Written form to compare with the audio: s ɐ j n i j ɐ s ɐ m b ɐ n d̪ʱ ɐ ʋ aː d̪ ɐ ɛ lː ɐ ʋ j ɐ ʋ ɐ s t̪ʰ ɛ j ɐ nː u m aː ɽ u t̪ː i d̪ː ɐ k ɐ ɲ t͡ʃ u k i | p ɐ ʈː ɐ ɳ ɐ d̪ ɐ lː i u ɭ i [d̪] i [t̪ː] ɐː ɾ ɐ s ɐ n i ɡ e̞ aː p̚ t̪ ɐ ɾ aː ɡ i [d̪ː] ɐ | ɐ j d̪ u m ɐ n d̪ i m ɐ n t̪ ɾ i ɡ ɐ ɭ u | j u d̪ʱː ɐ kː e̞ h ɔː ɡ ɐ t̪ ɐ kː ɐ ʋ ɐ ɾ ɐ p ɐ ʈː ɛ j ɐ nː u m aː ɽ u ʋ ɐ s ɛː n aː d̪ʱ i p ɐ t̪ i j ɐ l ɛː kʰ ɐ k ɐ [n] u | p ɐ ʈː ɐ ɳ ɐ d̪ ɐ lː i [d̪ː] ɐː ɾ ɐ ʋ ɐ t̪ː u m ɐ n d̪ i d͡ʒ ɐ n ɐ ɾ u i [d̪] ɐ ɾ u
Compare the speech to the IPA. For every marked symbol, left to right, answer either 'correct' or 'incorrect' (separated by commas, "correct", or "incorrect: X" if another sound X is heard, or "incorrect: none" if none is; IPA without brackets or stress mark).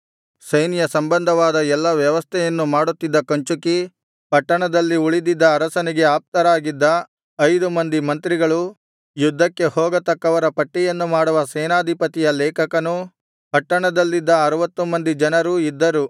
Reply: correct, incorrect: d̪ː, correct, correct, correct, incorrect: d̪ː